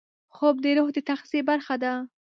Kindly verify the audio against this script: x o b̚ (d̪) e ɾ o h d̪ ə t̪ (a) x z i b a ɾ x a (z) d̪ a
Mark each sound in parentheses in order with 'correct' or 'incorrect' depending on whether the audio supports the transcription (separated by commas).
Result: correct, correct, incorrect